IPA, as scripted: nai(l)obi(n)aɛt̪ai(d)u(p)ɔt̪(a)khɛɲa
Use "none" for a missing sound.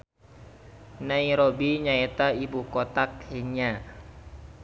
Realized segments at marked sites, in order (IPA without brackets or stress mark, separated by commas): ɾ, ɲ, b, k, a